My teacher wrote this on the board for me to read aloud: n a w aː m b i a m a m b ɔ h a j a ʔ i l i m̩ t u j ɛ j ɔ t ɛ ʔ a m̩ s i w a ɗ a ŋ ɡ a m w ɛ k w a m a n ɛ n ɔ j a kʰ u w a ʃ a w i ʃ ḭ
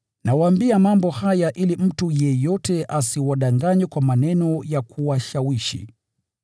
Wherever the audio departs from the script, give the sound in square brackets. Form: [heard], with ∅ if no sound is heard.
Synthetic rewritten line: n a w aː m b i a m a m b ɔ h a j a ʔ i l i m̩ t u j ɛ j ɔ t ɛ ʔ a [∅] s i w a ɗ a ŋ ɡ a [ɲ] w ɛ k w a m a n ɛ n ɔ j a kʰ u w a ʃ a w i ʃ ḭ